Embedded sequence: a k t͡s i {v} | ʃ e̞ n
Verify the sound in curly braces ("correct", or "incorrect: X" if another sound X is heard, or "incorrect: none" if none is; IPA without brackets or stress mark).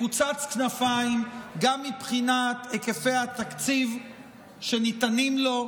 correct